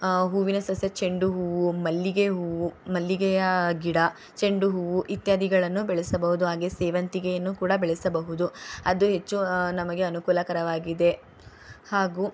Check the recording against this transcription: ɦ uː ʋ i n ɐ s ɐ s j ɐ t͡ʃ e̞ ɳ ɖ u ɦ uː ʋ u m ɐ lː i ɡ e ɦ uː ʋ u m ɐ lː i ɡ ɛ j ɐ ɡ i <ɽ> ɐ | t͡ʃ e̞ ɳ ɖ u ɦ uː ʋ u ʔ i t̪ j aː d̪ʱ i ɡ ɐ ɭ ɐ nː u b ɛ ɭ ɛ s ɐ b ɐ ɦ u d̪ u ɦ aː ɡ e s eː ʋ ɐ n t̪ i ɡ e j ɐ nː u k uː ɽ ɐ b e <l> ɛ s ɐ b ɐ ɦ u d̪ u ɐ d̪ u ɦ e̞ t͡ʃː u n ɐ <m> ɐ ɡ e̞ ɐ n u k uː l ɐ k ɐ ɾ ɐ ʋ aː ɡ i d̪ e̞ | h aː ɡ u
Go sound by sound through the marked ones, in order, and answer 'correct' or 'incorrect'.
correct, incorrect: ɭ, correct

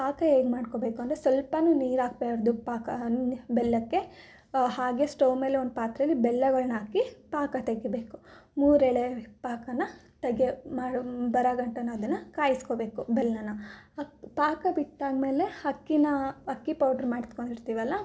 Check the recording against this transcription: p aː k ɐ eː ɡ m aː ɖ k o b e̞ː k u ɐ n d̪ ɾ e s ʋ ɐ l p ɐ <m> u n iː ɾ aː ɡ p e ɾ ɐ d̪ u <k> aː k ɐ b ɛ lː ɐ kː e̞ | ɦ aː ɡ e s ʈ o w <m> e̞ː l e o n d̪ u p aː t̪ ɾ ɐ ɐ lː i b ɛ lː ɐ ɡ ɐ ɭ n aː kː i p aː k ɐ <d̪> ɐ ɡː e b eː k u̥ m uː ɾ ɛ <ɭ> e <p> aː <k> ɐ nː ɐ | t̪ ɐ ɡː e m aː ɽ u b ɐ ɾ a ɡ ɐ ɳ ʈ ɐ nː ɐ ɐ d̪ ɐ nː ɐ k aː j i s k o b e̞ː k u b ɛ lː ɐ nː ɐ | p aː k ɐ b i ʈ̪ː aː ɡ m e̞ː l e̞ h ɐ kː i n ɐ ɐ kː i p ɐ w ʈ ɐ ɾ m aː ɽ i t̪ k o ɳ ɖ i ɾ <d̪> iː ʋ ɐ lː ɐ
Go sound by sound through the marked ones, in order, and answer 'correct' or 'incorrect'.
incorrect: n, incorrect: p, correct, incorrect: t̪, correct, correct, correct, incorrect: t̪

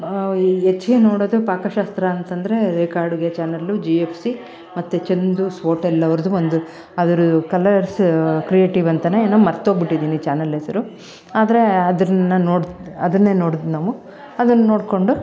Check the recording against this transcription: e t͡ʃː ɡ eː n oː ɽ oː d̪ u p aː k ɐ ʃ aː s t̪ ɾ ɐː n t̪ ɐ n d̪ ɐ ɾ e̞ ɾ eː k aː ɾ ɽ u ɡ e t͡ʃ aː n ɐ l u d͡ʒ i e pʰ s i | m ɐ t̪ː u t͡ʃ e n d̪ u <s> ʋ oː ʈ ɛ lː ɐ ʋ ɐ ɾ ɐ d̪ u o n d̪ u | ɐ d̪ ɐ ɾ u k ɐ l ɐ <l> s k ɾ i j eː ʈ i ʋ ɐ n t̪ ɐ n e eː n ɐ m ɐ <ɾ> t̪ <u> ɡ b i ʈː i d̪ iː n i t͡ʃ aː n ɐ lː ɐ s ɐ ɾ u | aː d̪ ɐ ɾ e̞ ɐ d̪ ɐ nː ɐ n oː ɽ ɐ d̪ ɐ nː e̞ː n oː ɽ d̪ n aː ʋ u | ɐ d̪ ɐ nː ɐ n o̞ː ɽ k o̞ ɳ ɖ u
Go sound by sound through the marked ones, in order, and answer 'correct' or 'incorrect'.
correct, incorrect: ɾ, correct, incorrect: o

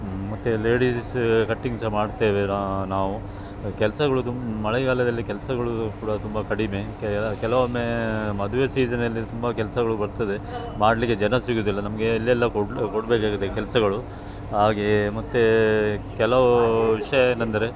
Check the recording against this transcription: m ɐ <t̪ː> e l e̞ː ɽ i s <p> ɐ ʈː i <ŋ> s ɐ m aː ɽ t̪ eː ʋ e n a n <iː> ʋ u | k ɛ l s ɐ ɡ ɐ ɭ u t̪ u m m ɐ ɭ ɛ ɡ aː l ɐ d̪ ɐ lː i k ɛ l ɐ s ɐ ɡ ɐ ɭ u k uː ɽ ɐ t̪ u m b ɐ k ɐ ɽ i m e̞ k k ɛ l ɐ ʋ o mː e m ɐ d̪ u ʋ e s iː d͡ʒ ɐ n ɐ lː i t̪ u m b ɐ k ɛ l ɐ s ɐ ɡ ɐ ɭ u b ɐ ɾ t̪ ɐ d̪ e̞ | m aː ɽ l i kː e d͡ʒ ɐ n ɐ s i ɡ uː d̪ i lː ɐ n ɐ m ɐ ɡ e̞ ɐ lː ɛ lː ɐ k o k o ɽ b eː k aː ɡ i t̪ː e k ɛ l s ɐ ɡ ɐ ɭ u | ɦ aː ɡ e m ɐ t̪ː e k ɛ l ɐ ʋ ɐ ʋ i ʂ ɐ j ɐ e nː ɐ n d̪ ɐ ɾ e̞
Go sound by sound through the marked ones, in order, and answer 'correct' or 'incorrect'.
correct, incorrect: k, correct, incorrect: aː

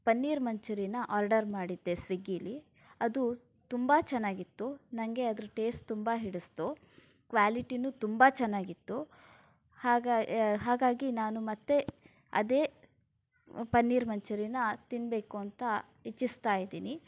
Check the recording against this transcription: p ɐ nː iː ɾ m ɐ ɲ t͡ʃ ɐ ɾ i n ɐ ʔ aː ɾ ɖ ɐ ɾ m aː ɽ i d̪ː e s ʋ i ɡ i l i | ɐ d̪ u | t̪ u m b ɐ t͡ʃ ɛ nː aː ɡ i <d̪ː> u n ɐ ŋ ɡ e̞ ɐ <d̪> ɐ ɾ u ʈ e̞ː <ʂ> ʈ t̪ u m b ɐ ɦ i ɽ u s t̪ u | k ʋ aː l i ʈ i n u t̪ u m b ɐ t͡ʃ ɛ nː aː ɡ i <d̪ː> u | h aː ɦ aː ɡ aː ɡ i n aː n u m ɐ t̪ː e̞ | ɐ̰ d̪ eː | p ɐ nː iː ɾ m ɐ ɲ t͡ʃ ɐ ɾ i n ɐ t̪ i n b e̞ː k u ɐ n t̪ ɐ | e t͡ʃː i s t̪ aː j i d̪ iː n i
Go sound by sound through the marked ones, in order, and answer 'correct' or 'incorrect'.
incorrect: t̪ː, correct, incorrect: s, incorrect: t̪ː

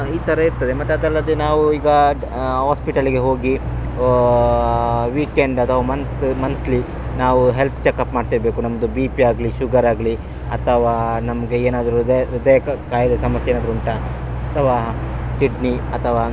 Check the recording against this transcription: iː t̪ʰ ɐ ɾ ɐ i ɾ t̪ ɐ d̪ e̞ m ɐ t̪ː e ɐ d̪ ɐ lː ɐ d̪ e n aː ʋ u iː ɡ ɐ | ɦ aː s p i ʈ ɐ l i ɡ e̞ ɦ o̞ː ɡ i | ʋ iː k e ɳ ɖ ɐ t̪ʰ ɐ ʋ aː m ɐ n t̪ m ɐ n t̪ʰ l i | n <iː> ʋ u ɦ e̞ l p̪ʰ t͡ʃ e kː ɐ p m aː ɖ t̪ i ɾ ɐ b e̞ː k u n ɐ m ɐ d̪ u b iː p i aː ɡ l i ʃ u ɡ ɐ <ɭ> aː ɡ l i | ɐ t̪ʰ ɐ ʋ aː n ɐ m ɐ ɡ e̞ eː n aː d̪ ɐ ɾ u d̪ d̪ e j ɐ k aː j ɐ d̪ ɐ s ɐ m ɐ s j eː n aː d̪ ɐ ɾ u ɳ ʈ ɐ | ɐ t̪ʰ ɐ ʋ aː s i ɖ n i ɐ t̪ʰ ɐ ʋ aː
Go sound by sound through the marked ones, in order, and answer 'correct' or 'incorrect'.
incorrect: aː, incorrect: ɾ

